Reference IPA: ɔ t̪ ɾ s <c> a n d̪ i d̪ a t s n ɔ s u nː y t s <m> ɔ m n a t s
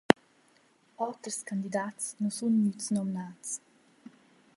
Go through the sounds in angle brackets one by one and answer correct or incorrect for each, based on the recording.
incorrect: k, incorrect: n

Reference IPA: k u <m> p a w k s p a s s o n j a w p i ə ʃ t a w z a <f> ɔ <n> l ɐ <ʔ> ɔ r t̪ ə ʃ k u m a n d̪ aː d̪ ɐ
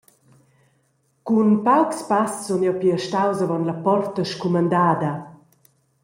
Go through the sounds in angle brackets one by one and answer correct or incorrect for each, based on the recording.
incorrect: n, incorrect: v, correct, incorrect: p

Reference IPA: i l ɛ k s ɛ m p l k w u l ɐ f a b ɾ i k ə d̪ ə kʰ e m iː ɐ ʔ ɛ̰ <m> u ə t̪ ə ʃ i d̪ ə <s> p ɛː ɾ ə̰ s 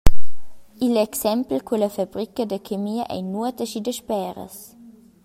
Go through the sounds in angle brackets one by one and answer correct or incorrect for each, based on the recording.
incorrect: n, incorrect: ʃ

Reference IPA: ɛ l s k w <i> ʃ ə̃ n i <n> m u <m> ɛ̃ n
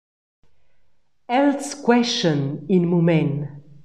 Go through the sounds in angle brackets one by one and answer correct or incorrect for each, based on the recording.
incorrect: ɛ, correct, correct

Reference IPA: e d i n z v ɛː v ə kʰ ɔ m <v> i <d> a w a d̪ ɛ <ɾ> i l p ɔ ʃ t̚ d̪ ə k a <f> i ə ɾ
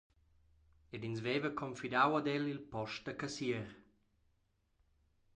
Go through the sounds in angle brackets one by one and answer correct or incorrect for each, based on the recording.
incorrect: f, correct, incorrect: l, incorrect: s

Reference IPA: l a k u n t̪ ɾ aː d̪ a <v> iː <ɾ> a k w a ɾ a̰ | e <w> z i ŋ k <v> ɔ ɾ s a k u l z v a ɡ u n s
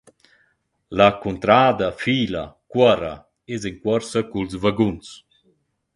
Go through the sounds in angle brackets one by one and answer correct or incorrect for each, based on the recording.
incorrect: f, incorrect: l, incorrect: none, incorrect: w

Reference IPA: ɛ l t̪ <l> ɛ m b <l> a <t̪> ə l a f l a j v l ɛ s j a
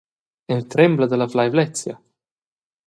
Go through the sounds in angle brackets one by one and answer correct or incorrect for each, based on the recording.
incorrect: ɾ, correct, incorrect: d̪

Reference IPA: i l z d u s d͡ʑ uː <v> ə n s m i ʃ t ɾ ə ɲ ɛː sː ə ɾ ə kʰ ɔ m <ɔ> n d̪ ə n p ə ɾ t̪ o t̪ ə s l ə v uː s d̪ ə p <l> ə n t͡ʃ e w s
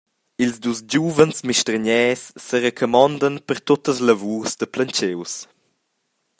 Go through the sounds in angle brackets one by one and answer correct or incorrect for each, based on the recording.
correct, correct, correct

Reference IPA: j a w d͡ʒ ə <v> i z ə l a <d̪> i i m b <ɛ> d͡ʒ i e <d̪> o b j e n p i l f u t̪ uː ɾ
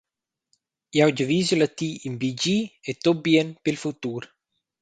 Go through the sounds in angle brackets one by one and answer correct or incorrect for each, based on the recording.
correct, incorrect: t̪, incorrect: i, incorrect: t̪

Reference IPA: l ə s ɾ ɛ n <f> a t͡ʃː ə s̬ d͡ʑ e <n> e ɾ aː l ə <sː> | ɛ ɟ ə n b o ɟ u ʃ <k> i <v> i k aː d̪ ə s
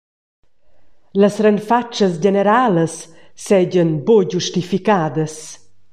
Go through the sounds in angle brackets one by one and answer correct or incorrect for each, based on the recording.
correct, correct, correct, incorrect: t, incorrect: f

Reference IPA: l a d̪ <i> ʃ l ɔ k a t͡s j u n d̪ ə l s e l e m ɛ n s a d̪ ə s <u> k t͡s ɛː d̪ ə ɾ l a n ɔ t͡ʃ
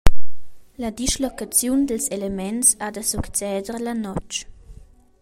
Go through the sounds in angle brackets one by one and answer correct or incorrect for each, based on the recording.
correct, correct

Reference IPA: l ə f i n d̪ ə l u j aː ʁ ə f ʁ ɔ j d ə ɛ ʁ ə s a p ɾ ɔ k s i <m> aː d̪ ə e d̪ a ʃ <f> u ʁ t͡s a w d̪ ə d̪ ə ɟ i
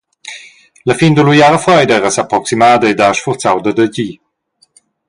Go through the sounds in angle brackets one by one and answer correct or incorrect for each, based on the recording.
correct, correct

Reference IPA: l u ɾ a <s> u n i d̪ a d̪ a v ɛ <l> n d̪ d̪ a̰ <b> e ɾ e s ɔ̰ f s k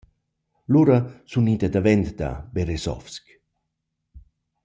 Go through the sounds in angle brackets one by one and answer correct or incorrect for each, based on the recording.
correct, incorrect: none, correct

